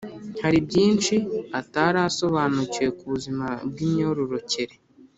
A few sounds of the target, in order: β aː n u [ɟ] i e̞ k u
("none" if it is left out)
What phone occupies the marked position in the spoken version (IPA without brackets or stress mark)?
c